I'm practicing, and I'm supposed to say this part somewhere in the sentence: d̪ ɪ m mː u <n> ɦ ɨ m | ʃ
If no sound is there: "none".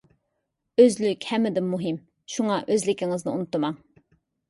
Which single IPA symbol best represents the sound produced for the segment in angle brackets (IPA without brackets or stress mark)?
none